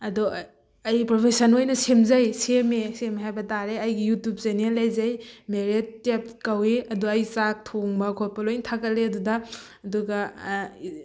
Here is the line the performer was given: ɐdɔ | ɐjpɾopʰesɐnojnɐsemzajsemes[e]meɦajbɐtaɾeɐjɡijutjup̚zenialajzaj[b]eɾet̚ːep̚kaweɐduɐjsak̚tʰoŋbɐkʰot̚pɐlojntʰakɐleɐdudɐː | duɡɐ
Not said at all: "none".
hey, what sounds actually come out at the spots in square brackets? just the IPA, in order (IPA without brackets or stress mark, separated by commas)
e, m